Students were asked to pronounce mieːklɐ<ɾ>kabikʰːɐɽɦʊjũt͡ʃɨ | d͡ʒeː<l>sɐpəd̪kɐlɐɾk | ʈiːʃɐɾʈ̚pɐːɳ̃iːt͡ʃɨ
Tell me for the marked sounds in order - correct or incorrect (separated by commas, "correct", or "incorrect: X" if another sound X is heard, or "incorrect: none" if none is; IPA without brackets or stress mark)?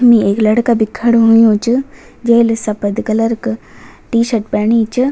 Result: incorrect: ɽ, correct